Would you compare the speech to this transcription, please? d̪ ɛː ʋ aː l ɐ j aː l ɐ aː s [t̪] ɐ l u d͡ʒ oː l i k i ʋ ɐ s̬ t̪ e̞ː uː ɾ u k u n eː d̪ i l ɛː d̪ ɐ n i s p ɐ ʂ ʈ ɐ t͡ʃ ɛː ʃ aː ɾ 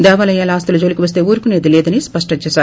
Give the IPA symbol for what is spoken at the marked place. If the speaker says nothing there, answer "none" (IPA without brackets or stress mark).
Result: t̪